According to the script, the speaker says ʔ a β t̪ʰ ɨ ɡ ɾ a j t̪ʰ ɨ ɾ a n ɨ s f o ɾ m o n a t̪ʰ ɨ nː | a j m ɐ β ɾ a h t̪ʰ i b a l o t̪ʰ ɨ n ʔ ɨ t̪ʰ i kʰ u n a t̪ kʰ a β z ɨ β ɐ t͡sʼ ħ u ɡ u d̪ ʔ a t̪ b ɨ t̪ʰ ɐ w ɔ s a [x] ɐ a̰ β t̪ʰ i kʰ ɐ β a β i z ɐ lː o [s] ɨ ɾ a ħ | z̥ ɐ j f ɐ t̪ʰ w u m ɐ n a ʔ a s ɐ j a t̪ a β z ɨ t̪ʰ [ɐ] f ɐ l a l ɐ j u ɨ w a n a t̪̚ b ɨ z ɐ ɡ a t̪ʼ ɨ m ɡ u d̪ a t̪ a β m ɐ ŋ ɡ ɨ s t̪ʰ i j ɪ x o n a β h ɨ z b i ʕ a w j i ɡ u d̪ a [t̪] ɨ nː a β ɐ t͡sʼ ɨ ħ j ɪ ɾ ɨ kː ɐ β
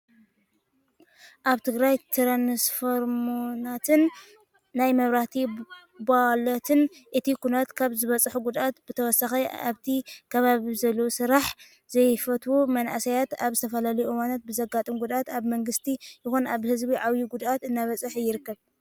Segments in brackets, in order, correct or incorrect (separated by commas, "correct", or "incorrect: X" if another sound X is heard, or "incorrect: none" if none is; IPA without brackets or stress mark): correct, correct, correct, correct